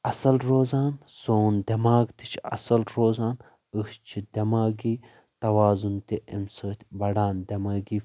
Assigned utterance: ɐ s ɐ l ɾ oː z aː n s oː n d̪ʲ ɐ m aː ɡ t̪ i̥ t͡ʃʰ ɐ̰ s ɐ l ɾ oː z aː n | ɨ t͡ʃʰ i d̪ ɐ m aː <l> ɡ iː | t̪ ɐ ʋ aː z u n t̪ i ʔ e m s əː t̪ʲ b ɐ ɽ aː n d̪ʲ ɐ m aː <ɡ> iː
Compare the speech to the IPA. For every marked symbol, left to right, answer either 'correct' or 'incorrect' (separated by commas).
incorrect, correct